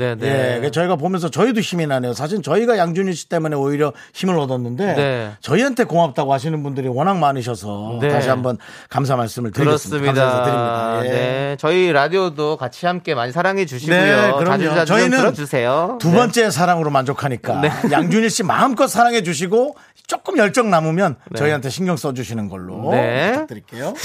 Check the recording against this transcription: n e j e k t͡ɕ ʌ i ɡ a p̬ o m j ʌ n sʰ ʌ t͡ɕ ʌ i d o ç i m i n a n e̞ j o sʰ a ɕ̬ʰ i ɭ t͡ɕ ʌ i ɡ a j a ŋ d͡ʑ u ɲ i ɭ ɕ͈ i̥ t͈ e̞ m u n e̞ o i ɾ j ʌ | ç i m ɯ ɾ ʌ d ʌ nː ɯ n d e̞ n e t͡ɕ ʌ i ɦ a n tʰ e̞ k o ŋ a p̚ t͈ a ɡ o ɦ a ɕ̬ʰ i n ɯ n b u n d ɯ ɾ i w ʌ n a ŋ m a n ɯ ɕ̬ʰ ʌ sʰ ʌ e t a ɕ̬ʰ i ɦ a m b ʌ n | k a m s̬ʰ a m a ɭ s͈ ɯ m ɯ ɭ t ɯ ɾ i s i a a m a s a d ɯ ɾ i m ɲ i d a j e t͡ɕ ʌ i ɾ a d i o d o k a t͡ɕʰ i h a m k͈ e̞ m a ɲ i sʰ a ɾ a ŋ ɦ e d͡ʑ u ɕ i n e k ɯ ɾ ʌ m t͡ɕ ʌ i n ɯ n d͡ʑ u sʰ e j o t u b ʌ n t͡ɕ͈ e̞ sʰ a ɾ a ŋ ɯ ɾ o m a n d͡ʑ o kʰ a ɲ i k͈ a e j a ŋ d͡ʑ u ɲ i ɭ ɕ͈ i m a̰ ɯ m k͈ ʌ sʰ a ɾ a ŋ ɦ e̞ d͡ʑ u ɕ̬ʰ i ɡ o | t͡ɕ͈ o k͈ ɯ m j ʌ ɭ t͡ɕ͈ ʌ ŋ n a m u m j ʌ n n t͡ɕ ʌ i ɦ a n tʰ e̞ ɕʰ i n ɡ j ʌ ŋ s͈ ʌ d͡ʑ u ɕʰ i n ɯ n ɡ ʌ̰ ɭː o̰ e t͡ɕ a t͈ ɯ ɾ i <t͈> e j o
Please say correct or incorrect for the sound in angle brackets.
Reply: incorrect